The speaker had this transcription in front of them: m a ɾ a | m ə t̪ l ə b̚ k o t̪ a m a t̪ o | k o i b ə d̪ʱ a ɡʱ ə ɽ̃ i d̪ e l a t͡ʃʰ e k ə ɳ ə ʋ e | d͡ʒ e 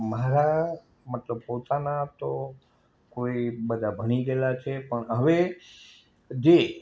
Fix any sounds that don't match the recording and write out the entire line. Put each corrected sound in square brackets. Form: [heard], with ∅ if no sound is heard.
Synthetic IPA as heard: m a ɾ a | m ə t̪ l ə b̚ [p] o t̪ a [n] a t̪ o | k o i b ə d̪ʱ a [bʱ] ə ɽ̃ i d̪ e l a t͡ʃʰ e [p] ə ɳ ə ʋ e | d͡ʒ e